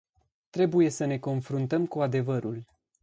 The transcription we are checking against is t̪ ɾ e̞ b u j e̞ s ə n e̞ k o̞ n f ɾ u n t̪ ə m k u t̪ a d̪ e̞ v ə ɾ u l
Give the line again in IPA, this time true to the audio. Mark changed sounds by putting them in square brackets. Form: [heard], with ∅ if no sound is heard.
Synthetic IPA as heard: t̪ ɾ e̞ b u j e̞ s ə n e̞ k o̞ n f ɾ u n t̪ ə m k u [∅] a d̪ e̞ v ə ɾ u l